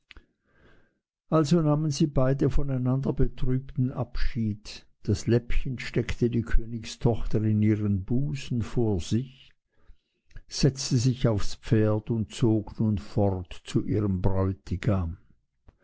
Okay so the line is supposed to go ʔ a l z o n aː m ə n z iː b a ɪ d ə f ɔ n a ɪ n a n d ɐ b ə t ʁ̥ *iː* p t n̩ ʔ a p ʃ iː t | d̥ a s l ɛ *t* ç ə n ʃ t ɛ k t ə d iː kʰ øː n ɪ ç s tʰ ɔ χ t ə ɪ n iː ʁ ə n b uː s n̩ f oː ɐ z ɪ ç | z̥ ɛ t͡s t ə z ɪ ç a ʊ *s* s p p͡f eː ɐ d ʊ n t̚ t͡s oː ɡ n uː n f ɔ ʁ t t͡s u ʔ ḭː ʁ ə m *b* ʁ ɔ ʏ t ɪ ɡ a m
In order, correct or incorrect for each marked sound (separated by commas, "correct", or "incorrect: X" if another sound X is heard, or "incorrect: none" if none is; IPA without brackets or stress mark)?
incorrect: yː, incorrect: p, incorrect: f, correct